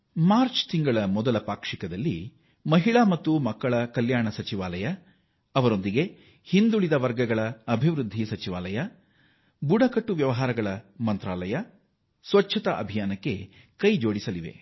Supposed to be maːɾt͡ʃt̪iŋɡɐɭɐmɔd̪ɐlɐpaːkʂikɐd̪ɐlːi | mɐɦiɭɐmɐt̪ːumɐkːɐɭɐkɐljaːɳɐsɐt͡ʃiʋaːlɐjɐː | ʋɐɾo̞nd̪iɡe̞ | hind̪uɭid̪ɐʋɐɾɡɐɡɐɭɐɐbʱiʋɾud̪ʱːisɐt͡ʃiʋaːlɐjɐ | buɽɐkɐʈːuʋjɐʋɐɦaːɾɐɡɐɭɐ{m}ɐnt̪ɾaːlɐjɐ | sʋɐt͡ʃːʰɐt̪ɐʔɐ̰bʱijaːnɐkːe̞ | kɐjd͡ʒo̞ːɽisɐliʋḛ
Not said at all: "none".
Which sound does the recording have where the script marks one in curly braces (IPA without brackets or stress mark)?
m